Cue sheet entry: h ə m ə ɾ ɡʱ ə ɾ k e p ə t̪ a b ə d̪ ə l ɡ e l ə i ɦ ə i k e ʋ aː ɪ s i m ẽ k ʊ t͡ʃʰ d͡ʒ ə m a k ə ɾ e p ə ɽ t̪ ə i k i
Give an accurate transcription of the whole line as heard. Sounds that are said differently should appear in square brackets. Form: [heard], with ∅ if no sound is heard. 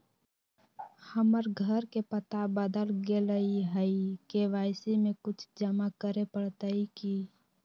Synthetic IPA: h ə m ə ɾ ɡʱ ə ɾ k e p ə t̪ a b ə d̪ ə l ɡ e l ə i ɦ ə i k e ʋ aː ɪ s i m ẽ k ʊ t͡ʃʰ d͡ʒ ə m a k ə ɾ e p ə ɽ t̪ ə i k i